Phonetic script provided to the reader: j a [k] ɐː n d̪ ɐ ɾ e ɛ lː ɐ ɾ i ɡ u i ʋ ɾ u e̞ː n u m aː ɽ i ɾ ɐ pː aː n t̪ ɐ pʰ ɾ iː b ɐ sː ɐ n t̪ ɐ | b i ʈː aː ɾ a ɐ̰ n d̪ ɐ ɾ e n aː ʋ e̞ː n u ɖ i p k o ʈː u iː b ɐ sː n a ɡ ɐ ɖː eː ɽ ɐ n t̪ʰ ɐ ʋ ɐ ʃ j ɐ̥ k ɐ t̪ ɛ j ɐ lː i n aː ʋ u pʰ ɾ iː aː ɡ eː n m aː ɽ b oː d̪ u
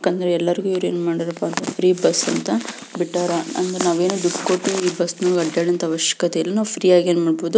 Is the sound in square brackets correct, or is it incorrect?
correct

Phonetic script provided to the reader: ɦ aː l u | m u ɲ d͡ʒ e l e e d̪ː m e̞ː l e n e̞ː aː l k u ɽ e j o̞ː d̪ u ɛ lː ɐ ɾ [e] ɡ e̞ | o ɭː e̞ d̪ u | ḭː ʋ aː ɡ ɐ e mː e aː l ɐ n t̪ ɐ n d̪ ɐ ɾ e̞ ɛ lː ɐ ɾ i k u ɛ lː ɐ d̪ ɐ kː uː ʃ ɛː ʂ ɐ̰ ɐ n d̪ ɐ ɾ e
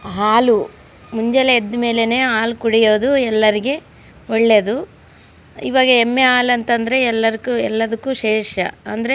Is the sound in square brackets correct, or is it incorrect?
incorrect: i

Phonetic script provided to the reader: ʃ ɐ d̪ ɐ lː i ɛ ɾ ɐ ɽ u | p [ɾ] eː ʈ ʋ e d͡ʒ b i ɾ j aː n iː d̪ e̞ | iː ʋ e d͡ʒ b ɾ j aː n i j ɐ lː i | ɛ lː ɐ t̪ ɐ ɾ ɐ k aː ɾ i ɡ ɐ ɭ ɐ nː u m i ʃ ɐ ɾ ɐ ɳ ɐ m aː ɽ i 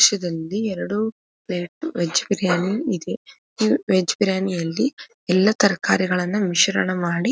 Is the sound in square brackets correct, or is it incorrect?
incorrect: l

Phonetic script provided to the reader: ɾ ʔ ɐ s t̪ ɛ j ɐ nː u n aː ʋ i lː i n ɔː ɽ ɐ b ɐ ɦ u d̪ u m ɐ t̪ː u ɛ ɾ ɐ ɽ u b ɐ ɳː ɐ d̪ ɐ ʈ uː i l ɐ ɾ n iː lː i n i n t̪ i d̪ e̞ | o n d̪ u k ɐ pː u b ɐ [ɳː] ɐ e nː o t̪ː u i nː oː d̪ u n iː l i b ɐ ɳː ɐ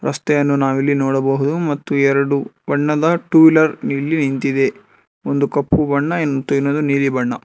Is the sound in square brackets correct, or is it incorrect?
correct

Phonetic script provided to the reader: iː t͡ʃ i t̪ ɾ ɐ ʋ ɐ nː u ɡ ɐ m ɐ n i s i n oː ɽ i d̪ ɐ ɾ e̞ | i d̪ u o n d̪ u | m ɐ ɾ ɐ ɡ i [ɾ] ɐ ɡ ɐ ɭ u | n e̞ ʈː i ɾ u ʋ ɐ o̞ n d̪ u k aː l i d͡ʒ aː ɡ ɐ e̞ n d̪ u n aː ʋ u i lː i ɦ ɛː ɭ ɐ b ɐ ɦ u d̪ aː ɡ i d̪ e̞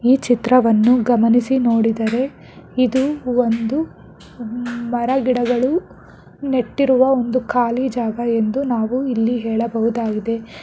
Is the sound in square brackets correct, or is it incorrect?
incorrect: ɽ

